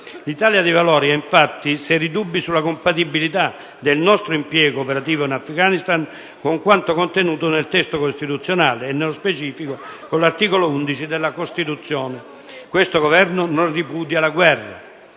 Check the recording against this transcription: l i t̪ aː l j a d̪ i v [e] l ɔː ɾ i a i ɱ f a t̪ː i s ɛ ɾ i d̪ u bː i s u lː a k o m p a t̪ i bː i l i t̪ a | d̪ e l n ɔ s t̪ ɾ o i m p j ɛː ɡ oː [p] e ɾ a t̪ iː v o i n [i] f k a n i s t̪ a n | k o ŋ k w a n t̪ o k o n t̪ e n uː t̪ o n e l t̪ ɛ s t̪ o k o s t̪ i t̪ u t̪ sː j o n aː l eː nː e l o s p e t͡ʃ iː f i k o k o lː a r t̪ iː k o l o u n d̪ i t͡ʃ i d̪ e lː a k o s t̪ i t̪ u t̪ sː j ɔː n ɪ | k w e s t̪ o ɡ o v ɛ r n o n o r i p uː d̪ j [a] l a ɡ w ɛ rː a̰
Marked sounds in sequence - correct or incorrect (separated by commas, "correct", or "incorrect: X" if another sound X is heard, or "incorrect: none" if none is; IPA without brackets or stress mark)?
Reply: incorrect: a, correct, incorrect: a, correct